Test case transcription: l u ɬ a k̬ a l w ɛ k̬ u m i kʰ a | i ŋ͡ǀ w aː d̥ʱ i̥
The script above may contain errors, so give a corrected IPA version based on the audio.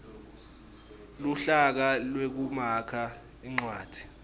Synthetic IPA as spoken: l u ɬ a k̬ a l w e k̬ u m a kʰ a | i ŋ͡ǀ w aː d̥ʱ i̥